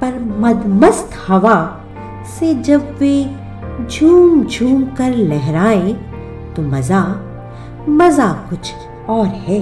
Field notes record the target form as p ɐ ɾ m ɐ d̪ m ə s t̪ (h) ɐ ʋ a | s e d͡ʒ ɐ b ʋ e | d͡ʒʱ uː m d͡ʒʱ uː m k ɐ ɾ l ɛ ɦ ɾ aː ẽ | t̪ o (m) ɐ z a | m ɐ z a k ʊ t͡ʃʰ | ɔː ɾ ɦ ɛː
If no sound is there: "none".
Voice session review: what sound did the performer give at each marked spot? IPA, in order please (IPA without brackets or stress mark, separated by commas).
h, m